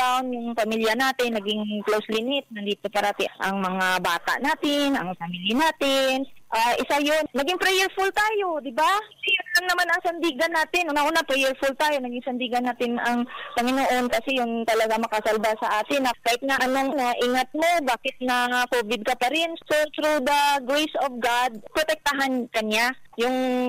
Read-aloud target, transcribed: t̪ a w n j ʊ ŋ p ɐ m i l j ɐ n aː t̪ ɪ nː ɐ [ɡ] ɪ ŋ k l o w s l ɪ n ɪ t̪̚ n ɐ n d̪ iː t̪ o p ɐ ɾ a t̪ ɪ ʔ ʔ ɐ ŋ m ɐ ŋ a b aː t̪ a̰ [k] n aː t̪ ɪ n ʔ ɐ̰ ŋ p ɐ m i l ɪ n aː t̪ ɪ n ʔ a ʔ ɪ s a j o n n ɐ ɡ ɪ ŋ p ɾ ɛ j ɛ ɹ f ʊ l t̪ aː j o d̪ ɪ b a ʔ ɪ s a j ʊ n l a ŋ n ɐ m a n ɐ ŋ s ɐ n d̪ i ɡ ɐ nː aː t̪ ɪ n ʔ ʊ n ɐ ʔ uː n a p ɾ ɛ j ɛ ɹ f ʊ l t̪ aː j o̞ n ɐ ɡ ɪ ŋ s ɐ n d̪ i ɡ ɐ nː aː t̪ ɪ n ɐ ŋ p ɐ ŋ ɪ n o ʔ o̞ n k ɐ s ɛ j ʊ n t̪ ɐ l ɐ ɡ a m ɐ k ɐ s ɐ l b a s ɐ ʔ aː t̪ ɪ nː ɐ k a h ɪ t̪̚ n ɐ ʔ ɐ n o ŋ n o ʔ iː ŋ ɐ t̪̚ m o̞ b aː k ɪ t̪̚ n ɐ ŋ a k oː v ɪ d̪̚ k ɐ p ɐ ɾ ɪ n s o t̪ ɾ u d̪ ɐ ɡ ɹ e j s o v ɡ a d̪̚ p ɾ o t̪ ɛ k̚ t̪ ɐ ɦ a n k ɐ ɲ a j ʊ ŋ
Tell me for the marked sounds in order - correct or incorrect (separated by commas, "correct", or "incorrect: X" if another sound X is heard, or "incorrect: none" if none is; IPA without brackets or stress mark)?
correct, incorrect: ʔ